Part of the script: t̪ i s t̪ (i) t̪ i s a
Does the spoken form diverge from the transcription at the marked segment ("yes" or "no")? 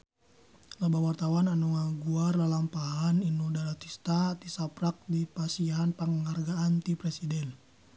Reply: yes